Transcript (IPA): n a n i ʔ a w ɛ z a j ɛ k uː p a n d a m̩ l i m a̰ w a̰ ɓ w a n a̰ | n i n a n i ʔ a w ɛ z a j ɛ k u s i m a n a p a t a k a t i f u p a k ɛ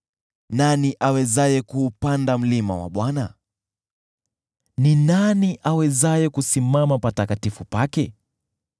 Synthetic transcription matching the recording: n a n i ʔ a w ɛ z a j ɛ k uː p a n d a m̩ l i m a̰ w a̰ ɓ w a n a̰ | n i n a n i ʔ a w ɛ z a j ɛ k u s i m a m a p a t a k a t i f u p a k ɛ

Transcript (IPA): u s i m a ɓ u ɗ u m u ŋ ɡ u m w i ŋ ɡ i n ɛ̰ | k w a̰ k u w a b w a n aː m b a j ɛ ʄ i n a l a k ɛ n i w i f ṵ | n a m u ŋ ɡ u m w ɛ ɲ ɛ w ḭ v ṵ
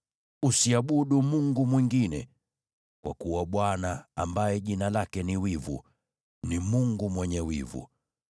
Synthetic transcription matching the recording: u s i a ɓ u ɗ u m u ŋ ɡ u m w i ŋ ɡ i n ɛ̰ | k w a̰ k u w a ɓ w a n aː m b a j ɛ ʄ i n a l a k ɛ n i w i v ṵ | n i m u ŋ ɡ u m w ɛ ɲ ɛ w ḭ v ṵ

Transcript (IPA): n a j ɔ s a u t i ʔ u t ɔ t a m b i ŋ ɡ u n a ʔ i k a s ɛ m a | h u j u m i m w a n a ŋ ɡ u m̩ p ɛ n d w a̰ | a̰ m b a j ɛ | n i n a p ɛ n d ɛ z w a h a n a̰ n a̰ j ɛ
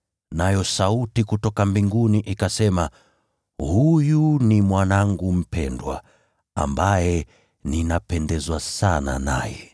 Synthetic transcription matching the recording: n a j ɔ s a u t i k u t ɔ k a m b i ŋ ɡ u n i ʔ i k a s ɛ m a | h u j u n i m w a n a ŋ ɡ u m̩ p ɛ n d w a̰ | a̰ m b a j ɛ | n i n a p ɛ n d ɛ z w a s a n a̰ n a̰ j ɛ

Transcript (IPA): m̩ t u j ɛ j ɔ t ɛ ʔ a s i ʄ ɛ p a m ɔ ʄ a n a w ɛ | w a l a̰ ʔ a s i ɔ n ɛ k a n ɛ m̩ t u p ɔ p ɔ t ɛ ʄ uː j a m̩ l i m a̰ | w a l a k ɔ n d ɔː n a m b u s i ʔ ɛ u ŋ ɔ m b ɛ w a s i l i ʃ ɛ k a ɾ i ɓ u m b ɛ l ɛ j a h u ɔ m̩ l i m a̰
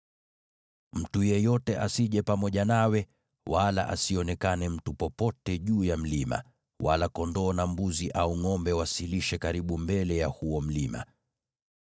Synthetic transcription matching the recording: m̩ t u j ɛ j ɔ t ɛ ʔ a s i ʄ ɛ p a m ɔ ʄ a n a w ɛ | w a l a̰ ʔ a s i ɔ n ɛ k a n ɛ m̩ t u p ɔ p ɔ t ɛ ʄ uː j a m̩ l i m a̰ | w a l a k ɔ n d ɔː n a m b u z i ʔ a u ŋ ɔ m b ɛ w a s i l i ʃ ɛ k a ɾ i ɓ u m b ɛ l ɛ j a h u ɔ m̩ l i m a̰

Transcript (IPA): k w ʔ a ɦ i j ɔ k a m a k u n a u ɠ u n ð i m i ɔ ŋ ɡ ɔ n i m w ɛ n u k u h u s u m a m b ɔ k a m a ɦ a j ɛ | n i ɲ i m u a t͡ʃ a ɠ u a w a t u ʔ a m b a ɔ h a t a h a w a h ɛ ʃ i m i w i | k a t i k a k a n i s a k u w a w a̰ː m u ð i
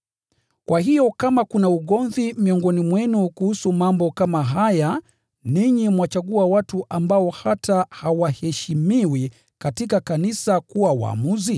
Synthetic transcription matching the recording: k w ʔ a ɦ i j ɔ k a m a k u n a u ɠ ɔ n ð i m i ɔ ŋ ɡ ɔ n i m w ɛ n u k u h u s u m a m b ɔ k a m a ɦ a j a | n i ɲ i m w a t͡ʃ a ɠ u a w a t u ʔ a m b a ɔ h a t a h a w a h ɛ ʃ i m i w i | k a t i k a k a n i s a k u w a w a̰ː m u z i

